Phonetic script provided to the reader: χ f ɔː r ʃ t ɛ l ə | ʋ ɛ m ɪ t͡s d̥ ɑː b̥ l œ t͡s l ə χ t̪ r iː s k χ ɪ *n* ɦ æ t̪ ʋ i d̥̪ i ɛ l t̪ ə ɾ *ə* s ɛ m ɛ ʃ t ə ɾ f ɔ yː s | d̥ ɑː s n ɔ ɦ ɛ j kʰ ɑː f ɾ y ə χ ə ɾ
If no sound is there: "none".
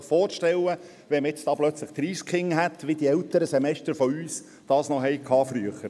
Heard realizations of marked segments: ŋ, ə

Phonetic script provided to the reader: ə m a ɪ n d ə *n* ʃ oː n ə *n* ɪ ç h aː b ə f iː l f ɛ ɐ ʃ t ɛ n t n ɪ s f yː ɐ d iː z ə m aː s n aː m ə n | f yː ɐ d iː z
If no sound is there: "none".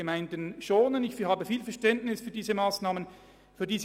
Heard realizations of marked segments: n, n

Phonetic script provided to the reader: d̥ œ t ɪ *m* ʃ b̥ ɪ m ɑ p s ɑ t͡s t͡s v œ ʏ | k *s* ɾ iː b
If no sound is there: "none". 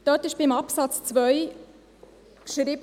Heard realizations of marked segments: none, ʃ

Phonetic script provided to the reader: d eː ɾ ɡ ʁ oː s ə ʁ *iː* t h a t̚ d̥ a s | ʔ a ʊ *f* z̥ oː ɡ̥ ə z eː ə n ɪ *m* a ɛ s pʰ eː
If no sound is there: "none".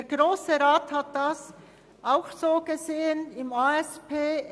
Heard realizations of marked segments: aː, x, m

